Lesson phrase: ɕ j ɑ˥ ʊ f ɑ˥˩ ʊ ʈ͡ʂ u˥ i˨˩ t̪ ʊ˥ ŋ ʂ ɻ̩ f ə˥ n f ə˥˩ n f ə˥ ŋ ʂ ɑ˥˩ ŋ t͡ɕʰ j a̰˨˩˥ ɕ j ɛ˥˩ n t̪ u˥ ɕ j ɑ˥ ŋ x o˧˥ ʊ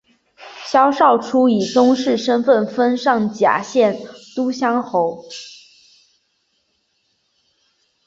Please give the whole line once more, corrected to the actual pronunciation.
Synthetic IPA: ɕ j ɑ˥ ʊ ʂ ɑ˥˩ ʊ ʈ͡ʂʰ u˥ i˨˩ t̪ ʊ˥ ŋ ʂ ɻ̩ ʂ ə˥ n f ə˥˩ n f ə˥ n ʂ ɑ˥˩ ŋ t͡ɕ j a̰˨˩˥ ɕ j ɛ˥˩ n t̪ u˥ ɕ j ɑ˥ ŋ x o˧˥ ʊ